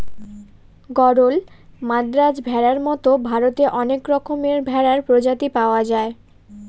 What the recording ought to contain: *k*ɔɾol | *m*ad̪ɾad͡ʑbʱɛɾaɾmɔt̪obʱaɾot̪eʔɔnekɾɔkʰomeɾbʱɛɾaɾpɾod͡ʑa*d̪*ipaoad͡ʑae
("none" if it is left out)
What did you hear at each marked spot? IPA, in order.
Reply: ɡ, m, t̪

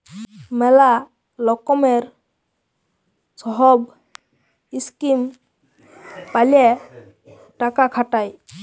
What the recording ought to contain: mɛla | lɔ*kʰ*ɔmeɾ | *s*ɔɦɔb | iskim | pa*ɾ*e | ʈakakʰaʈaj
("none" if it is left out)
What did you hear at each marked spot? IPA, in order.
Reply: k, s, l

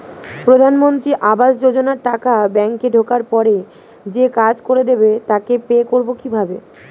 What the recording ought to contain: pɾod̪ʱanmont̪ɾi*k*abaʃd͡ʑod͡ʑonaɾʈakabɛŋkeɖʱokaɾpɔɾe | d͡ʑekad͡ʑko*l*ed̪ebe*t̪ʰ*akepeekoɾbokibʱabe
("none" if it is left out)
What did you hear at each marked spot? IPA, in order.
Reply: ʔ, ɾ, t̪

